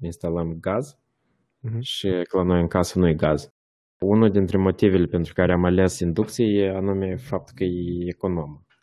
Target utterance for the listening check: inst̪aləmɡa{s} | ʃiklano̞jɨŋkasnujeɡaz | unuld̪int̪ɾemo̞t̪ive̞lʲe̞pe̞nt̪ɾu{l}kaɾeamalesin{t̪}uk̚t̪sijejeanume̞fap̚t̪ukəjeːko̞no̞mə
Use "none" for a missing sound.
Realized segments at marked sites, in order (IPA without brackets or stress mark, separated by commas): z, none, d̪